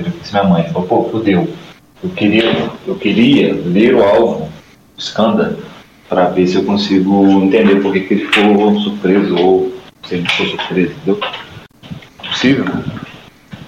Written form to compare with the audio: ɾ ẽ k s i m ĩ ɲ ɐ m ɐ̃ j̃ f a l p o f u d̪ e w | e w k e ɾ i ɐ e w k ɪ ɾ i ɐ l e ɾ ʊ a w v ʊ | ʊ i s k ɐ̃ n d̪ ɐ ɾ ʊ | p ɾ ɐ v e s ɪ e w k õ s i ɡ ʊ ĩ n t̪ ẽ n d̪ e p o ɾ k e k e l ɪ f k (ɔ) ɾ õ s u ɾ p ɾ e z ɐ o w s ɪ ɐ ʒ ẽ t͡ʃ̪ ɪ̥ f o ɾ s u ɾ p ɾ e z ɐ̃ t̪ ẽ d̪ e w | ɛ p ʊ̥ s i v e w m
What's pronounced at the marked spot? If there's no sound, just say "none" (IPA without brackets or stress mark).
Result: o